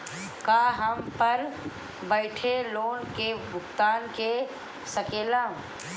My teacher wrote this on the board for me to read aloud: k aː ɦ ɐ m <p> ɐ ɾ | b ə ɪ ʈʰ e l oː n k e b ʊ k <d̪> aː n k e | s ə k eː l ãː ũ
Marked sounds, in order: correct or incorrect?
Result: correct, incorrect: t̪

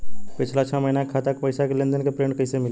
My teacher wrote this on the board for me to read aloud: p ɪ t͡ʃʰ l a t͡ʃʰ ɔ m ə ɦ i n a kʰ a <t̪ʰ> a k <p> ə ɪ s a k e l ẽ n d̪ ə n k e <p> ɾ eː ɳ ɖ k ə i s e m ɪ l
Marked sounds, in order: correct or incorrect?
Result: incorrect: t̪, correct, correct

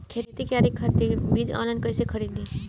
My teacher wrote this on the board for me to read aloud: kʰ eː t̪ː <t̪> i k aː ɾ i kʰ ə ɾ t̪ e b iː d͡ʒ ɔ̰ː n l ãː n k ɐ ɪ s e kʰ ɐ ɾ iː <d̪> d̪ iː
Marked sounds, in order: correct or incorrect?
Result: correct, correct

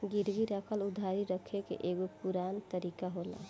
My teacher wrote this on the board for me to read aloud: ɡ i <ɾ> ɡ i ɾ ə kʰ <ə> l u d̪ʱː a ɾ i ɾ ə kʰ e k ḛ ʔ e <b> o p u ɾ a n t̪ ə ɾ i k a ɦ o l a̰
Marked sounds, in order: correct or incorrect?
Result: correct, correct, incorrect: ɡ

